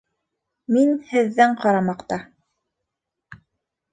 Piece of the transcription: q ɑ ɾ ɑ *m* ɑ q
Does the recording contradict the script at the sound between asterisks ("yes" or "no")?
no